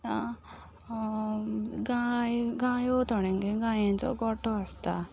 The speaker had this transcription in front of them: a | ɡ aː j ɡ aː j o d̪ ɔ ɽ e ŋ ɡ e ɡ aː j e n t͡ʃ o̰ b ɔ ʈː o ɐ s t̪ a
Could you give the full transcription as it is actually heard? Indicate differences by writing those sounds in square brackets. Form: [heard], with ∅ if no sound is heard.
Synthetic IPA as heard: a | ɡ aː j ɡ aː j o [t̪] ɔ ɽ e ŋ ɡ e ɡ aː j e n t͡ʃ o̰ [ɡ] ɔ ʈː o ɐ s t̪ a

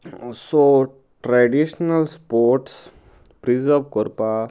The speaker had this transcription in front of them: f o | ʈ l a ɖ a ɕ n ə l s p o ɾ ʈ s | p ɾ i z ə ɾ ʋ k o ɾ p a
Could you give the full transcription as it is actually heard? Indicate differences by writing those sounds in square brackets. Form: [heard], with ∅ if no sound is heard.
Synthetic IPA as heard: [s] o | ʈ [ɾ] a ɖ [i] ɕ n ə l s p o ɾ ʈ s | p ɾ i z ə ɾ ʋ k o ɾ p a

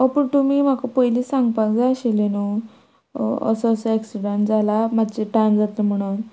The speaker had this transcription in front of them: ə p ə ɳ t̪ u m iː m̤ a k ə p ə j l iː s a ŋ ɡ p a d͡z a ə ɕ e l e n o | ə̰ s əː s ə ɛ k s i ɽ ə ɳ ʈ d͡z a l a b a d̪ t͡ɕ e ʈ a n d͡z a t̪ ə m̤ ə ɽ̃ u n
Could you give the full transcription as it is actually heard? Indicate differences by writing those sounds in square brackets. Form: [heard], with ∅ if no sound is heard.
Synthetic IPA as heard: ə p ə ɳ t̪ u m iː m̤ a k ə p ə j l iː s a ŋ ɡ p a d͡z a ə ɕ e l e n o | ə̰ s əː s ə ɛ k s i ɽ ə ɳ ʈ d͡z a l a [m] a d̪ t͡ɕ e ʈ a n d͡z a t̪ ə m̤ ə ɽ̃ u n

